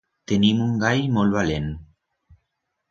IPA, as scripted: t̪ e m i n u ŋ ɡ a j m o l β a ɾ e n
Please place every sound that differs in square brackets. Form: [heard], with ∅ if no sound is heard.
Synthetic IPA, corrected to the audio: t̪ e [n] i [m] u ŋ ɡ a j m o l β a [l] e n